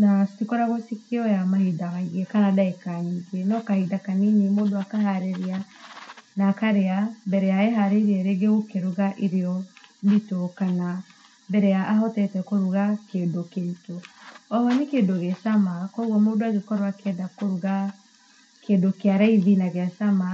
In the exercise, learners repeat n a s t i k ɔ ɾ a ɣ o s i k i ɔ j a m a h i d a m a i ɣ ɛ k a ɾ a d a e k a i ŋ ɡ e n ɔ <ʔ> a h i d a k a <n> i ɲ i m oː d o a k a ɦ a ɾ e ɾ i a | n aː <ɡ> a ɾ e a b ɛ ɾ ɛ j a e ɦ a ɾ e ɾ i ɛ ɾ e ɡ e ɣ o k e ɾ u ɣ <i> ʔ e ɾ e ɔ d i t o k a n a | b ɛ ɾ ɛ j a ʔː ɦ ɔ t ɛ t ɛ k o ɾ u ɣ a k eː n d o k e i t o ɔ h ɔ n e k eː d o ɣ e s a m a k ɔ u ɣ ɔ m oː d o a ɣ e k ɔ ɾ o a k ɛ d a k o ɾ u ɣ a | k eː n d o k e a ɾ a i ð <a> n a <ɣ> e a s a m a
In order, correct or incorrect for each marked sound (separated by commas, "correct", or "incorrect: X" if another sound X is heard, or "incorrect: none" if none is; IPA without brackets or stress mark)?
incorrect: k, correct, incorrect: k, incorrect: a, incorrect: i, correct